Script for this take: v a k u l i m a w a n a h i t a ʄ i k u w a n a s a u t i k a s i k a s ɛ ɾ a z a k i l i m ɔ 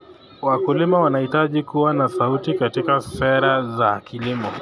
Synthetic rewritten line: w a k u l i m a w a n a h i t a ʄ i k u w a n a s a u t i k a t i k a s ɛ ɾ a z a k i l i m ɔ